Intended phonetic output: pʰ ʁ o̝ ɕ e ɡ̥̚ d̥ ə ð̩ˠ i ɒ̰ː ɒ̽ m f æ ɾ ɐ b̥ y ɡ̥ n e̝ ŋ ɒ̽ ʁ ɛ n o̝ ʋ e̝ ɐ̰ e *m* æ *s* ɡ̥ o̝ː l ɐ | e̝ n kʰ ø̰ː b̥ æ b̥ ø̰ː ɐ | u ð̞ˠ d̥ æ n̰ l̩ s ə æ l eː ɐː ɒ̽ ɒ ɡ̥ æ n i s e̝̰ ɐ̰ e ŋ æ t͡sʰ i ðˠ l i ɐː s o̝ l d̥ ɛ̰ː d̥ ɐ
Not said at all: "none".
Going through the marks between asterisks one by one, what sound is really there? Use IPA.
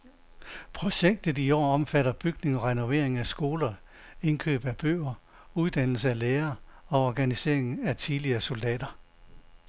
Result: ŋ, s

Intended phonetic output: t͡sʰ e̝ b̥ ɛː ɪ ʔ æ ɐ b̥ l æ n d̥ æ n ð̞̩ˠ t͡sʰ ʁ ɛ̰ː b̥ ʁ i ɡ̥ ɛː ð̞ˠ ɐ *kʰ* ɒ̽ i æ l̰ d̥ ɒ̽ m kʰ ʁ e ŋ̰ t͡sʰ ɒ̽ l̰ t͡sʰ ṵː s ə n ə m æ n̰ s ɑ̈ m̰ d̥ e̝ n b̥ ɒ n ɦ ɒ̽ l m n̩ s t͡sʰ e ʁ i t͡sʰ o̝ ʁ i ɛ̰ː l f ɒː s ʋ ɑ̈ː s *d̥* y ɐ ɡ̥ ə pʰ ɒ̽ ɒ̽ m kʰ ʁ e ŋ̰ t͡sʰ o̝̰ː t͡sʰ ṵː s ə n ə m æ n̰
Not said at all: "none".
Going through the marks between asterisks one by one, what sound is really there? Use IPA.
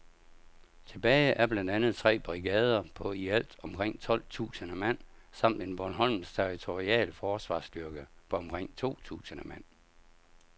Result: pʰ, d̥

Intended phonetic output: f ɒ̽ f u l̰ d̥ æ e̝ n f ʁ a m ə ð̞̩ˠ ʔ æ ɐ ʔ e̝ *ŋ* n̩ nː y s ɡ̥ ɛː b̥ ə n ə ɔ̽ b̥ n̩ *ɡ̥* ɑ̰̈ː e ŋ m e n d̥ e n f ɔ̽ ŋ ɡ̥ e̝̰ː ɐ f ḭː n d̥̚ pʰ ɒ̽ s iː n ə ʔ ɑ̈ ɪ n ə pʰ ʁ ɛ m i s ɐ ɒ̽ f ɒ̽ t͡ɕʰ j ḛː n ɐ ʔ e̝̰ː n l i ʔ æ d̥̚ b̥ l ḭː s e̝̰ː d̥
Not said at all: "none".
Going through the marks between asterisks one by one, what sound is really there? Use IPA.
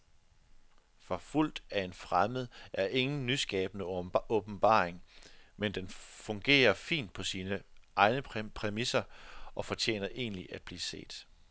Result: ŋ, b̥

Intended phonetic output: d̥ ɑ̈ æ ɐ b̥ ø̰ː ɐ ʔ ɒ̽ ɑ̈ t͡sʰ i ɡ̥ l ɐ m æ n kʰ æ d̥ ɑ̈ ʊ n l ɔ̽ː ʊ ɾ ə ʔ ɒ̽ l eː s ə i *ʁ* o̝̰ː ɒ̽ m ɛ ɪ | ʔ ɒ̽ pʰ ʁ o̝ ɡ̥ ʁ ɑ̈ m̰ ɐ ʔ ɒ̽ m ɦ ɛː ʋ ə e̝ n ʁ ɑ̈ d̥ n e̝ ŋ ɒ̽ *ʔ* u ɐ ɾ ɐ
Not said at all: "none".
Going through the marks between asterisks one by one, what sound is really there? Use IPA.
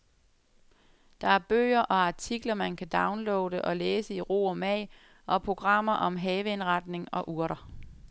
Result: ʁ, ʔ

